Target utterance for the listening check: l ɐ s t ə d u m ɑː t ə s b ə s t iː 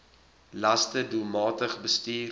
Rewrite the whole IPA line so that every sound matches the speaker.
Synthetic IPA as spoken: l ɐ s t ə d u m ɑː t ə χ b ə s t iː